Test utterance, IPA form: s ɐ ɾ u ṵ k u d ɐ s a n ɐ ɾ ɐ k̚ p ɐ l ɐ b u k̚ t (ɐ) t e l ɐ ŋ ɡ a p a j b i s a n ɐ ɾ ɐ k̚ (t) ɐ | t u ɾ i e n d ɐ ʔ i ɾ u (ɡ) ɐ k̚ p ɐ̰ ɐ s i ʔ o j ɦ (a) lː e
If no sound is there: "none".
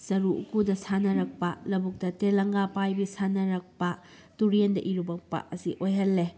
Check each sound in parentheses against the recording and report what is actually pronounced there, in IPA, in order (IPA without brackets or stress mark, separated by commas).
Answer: ɐ, p, b, ɐ